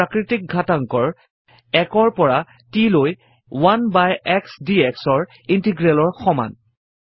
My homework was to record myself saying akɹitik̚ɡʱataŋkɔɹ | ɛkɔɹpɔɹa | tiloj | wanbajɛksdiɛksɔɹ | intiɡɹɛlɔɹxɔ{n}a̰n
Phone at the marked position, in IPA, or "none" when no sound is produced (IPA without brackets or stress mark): m